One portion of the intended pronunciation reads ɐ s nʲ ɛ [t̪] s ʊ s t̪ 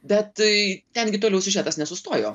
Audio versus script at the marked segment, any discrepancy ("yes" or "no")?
yes